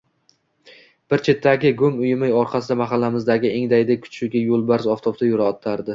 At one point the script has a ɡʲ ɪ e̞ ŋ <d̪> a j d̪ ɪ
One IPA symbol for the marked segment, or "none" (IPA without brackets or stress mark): d̪